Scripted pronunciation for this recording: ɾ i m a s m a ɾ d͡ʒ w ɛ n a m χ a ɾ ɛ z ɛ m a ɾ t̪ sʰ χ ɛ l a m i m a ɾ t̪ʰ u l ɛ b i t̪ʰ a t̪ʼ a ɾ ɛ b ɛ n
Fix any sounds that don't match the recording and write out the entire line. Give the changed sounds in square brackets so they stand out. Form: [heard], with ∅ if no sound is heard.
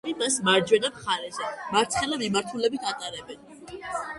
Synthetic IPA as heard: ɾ i m a s m a ɾ d͡ʒ w ɛ n a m χ a ɾ ɛ z ɛ m a ɾ t̪ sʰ χ ɛ l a m i m a ɾ t̪ʰ u l ɛ b i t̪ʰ a t̪ʼ a ɾ ɛ b ɛ n